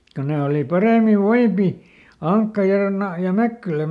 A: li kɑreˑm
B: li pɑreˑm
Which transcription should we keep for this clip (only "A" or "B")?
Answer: B